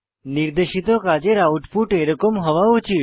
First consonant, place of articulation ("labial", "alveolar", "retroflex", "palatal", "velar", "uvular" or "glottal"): alveolar